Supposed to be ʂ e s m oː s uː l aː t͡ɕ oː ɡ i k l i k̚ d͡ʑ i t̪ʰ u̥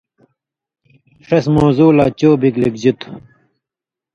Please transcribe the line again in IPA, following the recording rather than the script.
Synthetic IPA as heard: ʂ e s m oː z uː l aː t͡ɕ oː b i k l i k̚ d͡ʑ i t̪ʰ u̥